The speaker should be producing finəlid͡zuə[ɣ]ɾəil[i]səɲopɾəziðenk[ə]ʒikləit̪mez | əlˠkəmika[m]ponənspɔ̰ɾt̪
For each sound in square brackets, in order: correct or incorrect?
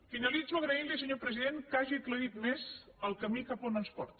correct, correct, incorrect: a, incorrect: none

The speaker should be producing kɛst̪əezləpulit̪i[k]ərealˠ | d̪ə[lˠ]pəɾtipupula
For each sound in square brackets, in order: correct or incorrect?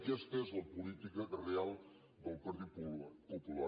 correct, correct

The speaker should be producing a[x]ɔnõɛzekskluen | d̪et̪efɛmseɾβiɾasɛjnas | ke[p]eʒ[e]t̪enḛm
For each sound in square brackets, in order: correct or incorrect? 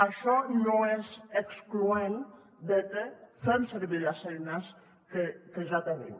incorrect: ʃ, incorrect: k, incorrect: a

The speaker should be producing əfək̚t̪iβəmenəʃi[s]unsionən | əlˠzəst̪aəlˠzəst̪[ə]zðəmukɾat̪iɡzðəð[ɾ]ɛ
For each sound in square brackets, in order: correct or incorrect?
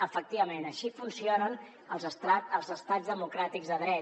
incorrect: f, incorrect: a, correct

